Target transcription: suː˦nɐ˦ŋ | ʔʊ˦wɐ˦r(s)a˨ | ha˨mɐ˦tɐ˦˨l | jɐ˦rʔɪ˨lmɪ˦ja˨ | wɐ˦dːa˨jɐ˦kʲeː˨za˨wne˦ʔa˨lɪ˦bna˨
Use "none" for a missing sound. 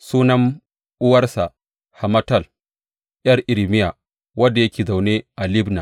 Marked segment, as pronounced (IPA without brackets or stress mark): s